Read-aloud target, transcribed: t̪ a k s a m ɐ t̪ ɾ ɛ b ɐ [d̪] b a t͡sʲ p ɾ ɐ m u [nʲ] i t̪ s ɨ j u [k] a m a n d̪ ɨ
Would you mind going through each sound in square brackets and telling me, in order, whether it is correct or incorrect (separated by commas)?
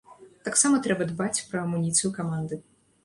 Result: correct, correct, correct